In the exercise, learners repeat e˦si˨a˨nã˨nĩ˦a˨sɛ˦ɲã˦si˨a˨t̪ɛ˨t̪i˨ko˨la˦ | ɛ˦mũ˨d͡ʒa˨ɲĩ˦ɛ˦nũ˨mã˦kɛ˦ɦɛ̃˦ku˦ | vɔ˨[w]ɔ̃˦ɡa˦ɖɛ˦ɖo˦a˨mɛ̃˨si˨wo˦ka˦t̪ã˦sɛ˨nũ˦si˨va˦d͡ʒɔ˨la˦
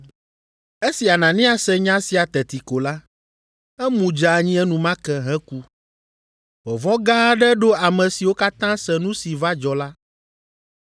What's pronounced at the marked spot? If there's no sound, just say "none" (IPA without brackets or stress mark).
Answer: v